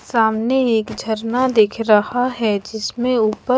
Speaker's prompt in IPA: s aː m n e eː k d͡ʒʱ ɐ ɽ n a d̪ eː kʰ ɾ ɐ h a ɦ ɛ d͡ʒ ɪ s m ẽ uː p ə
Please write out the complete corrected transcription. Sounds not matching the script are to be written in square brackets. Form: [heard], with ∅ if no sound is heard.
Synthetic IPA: s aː m n e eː k d͡ʒʱ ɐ [ɾ] n a d̪ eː kʰ ɾ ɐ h a ɦ ɛ d͡ʒ ɪ s m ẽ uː p ə